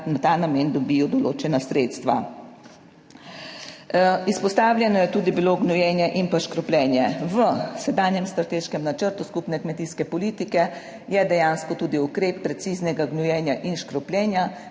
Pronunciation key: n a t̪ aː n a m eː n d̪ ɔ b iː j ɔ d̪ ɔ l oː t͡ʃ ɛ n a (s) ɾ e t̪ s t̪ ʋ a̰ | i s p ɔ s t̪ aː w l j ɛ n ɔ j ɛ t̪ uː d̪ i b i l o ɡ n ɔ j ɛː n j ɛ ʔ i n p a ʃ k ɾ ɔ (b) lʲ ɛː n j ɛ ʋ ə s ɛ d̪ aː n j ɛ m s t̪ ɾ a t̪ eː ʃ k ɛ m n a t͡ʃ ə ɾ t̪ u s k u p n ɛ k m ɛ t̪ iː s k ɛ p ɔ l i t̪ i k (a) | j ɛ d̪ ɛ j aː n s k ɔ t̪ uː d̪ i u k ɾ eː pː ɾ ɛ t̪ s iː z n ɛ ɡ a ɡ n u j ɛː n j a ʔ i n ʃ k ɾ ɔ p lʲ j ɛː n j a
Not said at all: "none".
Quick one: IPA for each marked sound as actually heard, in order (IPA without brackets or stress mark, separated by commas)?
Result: s, p, ɛ